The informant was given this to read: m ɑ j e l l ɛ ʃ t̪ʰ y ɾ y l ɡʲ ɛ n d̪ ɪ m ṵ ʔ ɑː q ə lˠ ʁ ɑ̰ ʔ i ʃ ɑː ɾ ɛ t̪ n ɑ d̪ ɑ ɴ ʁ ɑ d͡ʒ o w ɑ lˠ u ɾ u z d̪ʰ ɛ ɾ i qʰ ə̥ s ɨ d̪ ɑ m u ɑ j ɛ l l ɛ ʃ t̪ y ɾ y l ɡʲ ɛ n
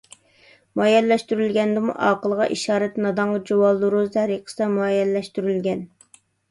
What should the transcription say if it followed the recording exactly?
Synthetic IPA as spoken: m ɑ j ɛ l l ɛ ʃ t̪ y ɾ y l ɡʲ ɛ n d̪ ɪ m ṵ ʔ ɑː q ə lˠ ʁ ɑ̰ ʔ i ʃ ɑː ɾ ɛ t̪ n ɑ d̪ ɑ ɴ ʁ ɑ d͡ʒ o w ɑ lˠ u ɾ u z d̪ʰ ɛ ɾ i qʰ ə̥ s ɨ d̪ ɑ m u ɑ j ɛ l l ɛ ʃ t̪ y ɾ y l ɡʲ ɛ n